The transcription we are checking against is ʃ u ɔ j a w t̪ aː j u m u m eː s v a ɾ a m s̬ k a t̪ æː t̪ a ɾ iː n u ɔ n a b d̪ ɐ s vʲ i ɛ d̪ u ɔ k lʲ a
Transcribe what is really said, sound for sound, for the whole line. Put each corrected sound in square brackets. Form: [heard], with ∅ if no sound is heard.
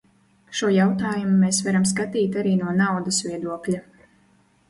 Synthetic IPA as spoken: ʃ u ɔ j a w t̪ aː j u m u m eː s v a ɾ a m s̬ k a t̪ [iː] t̪ a ɾ iː n u ɔ n a [w] d̪ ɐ s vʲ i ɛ d̪ u ɔ k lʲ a